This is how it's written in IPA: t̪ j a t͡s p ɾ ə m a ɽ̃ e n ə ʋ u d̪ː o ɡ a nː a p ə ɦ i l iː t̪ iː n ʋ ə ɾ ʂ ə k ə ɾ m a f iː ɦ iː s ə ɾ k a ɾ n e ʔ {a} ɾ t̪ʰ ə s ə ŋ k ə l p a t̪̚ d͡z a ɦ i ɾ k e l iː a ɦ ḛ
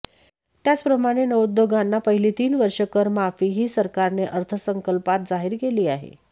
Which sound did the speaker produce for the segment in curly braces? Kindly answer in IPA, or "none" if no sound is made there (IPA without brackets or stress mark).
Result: ə